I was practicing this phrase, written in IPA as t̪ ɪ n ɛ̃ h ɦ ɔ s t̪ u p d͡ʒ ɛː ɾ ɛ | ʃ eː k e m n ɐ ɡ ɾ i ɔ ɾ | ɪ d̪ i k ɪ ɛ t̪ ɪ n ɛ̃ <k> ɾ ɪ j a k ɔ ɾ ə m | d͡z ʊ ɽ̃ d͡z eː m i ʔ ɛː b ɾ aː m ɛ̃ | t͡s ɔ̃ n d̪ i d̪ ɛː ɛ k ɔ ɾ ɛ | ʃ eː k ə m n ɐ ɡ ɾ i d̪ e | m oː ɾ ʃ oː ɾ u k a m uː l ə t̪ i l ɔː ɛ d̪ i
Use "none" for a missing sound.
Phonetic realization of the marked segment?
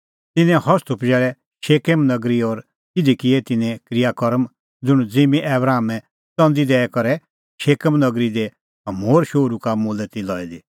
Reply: k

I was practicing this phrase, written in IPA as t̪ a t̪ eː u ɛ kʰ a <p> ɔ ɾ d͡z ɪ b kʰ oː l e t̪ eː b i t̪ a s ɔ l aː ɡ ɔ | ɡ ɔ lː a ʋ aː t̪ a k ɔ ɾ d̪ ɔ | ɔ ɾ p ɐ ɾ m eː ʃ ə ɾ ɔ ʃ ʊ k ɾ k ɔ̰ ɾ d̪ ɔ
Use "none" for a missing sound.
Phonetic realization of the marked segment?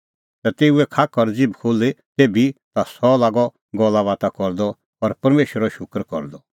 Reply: k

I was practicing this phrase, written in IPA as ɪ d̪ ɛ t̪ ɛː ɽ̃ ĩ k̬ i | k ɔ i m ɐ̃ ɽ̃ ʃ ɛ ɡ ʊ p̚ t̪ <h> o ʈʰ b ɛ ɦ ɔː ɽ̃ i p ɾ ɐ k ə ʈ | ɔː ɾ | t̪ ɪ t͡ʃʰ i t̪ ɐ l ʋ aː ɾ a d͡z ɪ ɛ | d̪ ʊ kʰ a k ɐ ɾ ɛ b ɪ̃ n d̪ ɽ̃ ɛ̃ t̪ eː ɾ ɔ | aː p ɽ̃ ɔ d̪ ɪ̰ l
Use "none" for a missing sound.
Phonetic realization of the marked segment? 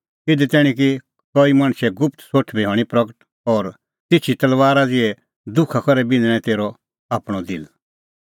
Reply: s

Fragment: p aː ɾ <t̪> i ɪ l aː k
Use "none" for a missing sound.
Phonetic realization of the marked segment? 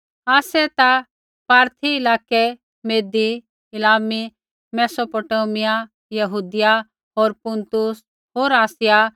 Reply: t̪ʰ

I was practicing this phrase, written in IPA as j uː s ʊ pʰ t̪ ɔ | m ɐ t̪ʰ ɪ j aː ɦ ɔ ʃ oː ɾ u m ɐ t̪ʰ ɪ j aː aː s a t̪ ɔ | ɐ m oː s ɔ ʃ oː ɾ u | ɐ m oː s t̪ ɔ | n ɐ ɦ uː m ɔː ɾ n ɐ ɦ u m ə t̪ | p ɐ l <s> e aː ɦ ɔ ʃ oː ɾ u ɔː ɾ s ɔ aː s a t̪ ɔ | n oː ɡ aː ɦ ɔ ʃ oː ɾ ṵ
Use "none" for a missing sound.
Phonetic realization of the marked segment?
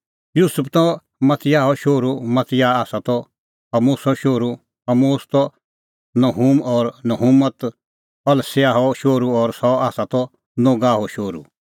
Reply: s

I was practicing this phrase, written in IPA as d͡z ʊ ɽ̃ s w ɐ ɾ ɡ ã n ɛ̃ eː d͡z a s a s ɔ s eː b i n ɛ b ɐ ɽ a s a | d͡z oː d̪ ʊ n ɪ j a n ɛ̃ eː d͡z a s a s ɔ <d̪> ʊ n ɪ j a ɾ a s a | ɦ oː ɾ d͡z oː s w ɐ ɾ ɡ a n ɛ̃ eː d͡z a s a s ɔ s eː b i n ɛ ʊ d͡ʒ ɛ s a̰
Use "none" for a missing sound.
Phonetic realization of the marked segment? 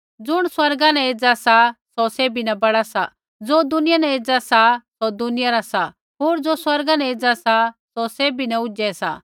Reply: d̪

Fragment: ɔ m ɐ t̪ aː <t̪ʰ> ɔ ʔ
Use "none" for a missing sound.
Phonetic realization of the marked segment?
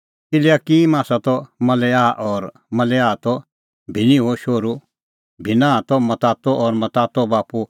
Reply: t̪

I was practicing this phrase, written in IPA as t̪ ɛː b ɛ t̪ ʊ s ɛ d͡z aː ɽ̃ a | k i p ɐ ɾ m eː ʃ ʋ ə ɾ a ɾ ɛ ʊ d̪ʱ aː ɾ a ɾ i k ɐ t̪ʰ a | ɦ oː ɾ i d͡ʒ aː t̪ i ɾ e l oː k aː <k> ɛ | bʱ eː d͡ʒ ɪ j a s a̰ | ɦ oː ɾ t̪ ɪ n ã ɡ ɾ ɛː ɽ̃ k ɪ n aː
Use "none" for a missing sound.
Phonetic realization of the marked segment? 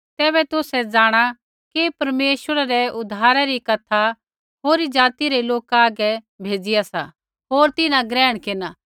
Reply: ɡ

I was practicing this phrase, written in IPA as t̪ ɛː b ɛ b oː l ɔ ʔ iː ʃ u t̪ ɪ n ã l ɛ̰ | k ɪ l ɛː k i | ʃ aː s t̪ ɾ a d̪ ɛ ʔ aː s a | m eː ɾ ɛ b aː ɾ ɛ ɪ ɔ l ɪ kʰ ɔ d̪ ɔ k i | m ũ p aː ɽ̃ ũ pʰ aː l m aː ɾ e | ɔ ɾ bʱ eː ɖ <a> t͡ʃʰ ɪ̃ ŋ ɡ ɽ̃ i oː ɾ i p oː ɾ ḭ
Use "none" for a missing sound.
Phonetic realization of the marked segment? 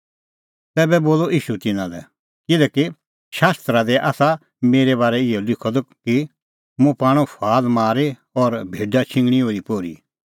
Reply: a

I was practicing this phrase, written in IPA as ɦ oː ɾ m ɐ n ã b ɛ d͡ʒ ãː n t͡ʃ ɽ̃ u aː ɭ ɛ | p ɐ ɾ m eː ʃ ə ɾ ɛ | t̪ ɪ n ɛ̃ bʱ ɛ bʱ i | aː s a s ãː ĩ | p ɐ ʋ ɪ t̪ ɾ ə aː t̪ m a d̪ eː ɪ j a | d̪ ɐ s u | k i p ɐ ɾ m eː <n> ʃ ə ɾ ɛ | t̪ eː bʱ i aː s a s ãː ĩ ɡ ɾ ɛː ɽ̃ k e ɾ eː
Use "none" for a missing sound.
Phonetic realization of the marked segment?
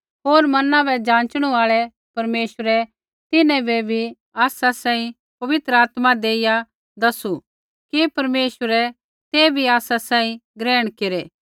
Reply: none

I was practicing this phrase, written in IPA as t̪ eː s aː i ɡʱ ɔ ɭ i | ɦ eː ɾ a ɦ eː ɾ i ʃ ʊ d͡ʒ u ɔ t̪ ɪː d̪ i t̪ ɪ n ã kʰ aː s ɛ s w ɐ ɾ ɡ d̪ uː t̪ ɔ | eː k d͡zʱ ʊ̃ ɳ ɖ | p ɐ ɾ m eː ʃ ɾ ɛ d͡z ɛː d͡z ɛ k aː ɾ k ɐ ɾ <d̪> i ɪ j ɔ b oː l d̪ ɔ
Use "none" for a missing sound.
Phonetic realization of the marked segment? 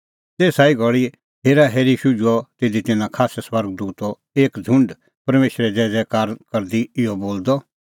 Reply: d̪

